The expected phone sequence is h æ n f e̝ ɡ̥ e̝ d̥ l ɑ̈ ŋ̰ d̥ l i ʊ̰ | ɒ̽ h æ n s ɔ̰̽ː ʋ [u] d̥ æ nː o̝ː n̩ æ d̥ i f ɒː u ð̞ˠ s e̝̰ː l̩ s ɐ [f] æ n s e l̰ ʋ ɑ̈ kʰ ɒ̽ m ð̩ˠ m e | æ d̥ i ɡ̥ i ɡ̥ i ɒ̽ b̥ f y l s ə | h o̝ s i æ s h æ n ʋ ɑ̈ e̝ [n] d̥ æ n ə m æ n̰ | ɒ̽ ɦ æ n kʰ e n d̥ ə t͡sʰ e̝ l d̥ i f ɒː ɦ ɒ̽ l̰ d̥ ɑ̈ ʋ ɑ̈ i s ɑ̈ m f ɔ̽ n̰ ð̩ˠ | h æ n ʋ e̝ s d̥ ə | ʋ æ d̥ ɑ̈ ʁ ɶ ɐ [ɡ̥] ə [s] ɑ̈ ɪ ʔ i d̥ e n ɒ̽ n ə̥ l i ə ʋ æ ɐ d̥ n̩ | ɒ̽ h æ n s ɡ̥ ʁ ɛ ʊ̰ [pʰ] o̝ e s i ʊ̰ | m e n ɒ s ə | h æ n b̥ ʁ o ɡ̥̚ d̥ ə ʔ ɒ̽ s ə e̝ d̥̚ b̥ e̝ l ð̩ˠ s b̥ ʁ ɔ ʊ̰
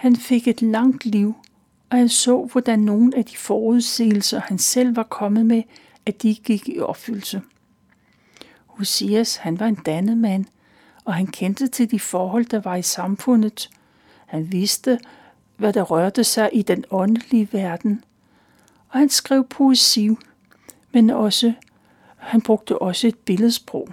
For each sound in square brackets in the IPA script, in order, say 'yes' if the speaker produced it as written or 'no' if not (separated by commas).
no, no, yes, no, yes, yes